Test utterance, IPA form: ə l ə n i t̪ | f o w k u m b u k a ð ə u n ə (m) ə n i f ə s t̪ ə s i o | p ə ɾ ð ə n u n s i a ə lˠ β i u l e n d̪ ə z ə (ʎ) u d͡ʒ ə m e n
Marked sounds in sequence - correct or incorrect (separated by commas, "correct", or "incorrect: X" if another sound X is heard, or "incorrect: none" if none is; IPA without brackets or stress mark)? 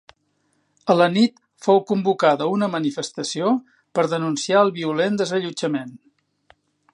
correct, correct